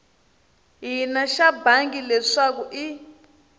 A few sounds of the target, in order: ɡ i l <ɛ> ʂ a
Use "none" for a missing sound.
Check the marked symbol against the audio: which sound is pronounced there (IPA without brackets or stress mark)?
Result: ɛ